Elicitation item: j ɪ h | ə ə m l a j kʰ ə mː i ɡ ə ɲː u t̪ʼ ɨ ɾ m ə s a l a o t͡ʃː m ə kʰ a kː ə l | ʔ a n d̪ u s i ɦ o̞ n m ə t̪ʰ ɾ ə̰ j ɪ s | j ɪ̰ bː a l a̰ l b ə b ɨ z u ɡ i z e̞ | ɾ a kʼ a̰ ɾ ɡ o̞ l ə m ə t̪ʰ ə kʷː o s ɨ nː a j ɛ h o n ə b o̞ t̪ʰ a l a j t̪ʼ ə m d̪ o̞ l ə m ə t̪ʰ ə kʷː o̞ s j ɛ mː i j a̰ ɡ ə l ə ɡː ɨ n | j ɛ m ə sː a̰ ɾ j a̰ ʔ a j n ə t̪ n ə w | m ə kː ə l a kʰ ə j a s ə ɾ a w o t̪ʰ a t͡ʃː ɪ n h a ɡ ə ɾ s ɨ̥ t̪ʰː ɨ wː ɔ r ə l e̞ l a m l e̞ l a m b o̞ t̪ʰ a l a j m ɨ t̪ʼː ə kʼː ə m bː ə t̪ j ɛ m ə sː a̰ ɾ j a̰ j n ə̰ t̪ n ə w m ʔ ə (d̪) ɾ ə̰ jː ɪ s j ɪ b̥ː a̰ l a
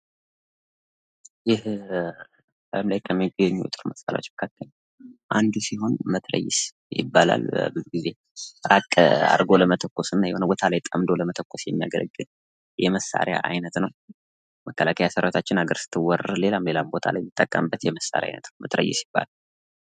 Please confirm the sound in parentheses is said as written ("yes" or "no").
no